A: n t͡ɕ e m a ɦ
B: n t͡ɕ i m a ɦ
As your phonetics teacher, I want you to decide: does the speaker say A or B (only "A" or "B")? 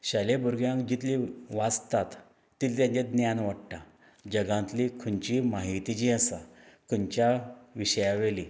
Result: B